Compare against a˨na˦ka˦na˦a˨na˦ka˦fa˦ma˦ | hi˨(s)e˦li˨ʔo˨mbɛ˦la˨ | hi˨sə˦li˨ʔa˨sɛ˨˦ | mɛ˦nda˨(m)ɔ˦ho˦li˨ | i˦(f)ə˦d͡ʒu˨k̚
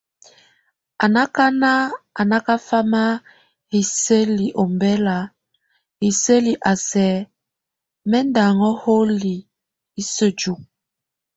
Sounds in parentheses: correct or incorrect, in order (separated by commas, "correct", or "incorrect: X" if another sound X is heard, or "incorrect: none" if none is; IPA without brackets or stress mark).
correct, incorrect: ŋ, incorrect: s